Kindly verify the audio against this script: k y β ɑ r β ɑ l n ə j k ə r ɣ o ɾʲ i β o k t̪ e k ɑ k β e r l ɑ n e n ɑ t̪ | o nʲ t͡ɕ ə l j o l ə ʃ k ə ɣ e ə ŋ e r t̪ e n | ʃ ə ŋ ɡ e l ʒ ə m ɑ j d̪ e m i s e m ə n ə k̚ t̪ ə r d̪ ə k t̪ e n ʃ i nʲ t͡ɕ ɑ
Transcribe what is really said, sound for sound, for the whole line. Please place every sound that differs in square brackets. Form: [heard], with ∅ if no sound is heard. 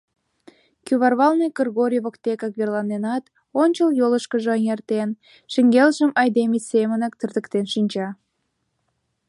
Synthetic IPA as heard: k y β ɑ r β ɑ l n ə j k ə r ɣ o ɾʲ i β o k t̪ e k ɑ k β e r l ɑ n e n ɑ t̪ | o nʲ t͡ɕ ə l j o l ə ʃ k ə [ʒ] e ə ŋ e r t̪ e n | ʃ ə ŋ ɡ e l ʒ ə m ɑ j d̪ e m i s e m ə n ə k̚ t̪ ə r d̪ ə k t̪ e n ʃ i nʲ t͡ɕ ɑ